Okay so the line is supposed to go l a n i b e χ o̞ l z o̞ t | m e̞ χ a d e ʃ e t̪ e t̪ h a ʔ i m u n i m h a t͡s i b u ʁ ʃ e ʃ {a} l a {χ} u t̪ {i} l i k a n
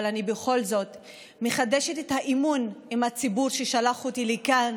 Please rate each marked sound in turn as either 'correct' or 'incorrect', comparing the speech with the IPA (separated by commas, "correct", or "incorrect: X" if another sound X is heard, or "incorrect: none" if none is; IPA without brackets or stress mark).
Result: correct, correct, correct